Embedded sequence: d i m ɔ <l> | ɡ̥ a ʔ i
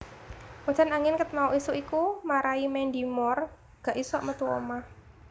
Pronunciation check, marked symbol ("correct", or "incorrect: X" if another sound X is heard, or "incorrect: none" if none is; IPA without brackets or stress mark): incorrect: r